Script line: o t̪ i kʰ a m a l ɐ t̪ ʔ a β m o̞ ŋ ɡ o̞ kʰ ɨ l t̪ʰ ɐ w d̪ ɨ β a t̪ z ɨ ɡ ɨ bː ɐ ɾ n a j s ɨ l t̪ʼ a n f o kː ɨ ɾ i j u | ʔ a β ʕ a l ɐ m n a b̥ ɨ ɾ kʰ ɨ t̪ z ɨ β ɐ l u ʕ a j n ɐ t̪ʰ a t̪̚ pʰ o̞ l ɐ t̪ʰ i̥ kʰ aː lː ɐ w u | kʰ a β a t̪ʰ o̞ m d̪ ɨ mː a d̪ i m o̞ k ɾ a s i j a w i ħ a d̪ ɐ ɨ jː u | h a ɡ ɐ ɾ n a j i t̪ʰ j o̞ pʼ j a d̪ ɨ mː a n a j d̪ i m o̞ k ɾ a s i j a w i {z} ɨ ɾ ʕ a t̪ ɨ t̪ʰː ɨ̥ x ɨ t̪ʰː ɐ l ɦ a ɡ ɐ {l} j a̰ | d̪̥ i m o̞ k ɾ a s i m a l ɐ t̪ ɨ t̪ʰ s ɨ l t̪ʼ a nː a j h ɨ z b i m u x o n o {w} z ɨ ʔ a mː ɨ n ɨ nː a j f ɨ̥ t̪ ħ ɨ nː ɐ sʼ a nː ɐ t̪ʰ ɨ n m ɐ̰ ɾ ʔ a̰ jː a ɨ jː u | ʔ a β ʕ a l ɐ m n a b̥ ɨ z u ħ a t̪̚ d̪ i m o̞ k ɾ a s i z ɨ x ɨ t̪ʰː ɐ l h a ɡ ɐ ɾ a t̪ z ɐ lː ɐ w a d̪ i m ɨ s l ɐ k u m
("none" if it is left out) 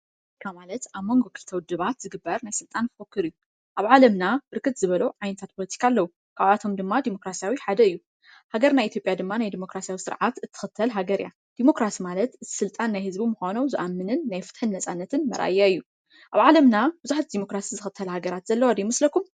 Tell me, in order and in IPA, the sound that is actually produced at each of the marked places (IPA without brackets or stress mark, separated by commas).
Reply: s, ɾ, w